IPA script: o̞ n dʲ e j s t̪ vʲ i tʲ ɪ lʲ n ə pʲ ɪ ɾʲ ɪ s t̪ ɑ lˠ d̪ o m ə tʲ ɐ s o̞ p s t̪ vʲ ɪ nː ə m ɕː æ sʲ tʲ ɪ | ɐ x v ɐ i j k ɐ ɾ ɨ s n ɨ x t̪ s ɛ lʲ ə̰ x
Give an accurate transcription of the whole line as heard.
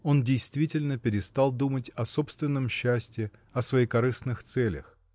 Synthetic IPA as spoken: o̞ n dʲ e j s t̪ vʲ i tʲ ɪ lʲ n ə pʲ ɪ ɾʲ ɪ s t̪ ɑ lˠ d̪ u m ə tʲ ɐ s o̞ p s t̪ vʲ ɪ nː ə m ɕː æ sʲ tʲ ɪ | ɐ s v ɐ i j k ɐ ɾ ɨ s n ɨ x t̪ s ɛ lʲ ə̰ x